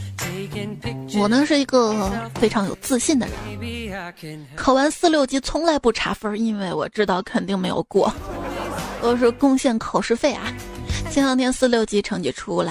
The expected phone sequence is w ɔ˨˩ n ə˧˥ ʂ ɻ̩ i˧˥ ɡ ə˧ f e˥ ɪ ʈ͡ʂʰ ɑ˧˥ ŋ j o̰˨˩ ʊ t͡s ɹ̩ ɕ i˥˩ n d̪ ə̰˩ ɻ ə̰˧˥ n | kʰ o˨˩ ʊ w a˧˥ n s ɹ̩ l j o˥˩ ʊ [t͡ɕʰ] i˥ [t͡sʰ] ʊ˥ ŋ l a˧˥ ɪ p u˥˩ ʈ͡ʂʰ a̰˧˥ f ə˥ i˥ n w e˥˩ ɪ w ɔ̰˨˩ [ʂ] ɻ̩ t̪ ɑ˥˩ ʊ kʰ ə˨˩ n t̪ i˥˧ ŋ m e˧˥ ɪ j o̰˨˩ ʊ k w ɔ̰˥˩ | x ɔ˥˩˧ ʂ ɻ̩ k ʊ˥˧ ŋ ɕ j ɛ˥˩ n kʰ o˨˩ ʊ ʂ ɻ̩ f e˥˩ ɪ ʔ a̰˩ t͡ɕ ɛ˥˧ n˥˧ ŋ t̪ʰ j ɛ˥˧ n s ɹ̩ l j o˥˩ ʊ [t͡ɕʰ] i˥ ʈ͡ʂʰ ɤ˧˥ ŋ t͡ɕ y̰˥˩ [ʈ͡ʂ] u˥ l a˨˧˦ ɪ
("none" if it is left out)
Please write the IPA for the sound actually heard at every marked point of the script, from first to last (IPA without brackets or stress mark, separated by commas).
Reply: t͡ɕ, t͡sʰ, ʈ͡ʂ, t͡ɕ, ʈ͡ʂʰ